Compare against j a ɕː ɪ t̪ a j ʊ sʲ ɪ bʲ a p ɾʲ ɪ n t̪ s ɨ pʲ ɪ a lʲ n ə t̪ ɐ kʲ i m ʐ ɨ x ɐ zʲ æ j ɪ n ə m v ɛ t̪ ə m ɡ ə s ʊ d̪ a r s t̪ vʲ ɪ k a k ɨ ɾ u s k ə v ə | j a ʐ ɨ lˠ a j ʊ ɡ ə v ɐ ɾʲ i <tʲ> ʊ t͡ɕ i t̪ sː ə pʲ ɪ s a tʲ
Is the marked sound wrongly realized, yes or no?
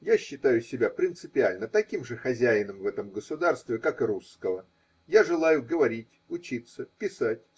no